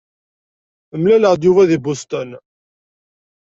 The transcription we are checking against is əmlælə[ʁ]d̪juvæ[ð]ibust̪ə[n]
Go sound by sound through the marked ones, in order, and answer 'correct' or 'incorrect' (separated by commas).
correct, correct, correct